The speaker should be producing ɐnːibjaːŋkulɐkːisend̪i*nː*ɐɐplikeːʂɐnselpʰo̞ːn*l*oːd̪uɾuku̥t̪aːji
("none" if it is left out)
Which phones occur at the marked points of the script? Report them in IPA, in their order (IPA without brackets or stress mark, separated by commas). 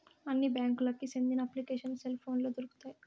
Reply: n, l